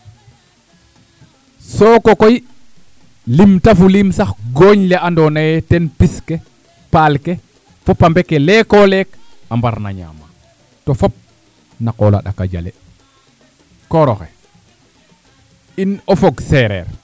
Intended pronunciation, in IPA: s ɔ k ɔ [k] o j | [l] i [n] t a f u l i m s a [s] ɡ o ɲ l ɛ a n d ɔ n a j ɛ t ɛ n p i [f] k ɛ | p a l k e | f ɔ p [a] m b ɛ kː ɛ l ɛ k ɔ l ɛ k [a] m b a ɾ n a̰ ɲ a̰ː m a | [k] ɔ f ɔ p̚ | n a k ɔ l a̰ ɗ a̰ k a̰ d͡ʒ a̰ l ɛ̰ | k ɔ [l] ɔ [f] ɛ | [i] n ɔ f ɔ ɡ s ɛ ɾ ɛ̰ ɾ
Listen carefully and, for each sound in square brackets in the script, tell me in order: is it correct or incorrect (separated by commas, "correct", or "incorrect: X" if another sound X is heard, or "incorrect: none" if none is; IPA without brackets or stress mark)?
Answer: correct, correct, incorrect: m, incorrect: x, incorrect: s, correct, correct, incorrect: t, incorrect: ɾ, incorrect: x, correct